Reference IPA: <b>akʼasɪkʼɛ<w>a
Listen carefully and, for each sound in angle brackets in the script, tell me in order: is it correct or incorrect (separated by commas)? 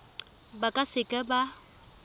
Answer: correct, incorrect